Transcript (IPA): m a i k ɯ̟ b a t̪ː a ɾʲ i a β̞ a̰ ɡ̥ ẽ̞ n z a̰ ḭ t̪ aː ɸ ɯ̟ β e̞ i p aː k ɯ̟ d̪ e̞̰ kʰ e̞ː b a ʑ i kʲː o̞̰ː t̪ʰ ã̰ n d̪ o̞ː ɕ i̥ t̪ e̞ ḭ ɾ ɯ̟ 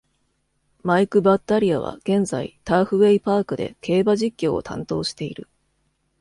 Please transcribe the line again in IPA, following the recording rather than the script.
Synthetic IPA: m a i k ɯ̟ b a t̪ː a ɾʲ i a β̞ a̰ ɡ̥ ẽ̞ n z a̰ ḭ t̪ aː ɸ ɯ̟ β e̞ i p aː k ɯ̟ d̪ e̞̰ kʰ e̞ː b a ʑ i kʲː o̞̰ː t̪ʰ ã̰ n t̪ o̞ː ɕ i̥ t̪ e̞ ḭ ɾ ɯ̟